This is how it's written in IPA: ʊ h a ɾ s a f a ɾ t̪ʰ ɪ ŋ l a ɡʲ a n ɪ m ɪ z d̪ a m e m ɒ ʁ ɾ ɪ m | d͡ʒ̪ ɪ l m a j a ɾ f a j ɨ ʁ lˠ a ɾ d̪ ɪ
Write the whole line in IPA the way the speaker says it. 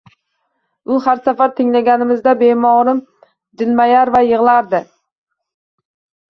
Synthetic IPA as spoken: ʊ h a ɾ s a f a ɾ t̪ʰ ɪ ŋ l a ɡʲ a n ɪ m ɪ z d̪ a b e m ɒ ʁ ɾ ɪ m | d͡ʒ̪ ɪ l m a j a ɾ v a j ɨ ʁ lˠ a ɾ d̪ ɪ